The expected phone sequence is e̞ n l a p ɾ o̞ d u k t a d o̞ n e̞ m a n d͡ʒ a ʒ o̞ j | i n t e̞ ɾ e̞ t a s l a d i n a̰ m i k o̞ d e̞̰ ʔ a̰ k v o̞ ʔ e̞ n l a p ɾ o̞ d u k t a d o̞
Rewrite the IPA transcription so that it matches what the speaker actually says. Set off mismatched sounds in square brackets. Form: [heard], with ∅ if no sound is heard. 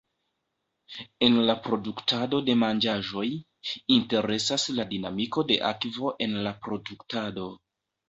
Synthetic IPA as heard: e̞ n l a p ɾ o̞ d u k t a d o̞ [d] e̞ m a n d͡ʒ a ʒ o̞ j | i n t e̞ ɾ e̞ [s] a s l a d i n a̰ m i k o̞ d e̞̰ ʔ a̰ k v o̞ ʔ e̞ n l a p ɾ o̞ d u k t a d o̞